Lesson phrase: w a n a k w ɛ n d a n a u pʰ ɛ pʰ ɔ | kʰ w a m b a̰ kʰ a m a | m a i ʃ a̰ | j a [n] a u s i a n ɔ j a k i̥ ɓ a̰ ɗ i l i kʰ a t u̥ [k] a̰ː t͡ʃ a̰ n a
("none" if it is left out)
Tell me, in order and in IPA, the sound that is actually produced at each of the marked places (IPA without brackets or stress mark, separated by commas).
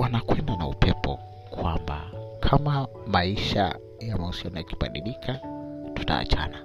m, t